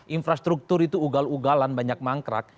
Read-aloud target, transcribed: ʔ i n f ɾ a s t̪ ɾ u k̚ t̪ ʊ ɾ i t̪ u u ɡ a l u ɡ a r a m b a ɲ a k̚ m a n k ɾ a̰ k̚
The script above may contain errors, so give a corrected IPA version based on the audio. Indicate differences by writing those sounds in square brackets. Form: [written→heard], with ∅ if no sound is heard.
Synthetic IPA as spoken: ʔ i n f ɾ a s t̪ ɾ u k̚ t̪ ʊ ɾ i t̪ u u ɡ a l u ɡ a [r→l] a [m→n] b a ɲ a k̚ m a [n→ŋ] k ɾ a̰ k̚